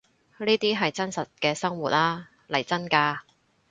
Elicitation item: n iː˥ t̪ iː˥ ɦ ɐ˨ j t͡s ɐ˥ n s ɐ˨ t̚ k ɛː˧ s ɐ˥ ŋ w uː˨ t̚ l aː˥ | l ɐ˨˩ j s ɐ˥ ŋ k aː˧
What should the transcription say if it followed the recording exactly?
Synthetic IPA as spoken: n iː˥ t̪ iː˥ ɦ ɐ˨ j t͡s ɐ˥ n s ɐ˨ t̚ k ɛː˧ s ɐ˥ ŋ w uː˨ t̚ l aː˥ | l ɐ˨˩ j t͡s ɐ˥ n k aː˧